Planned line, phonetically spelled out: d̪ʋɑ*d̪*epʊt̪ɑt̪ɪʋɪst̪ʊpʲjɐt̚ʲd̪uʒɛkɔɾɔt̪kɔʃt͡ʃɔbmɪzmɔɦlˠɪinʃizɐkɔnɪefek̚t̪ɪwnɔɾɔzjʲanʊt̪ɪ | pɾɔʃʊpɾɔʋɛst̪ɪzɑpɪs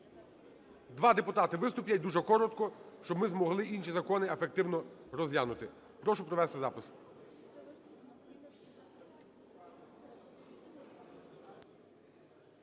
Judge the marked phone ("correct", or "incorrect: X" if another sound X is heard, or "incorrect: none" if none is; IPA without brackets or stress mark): correct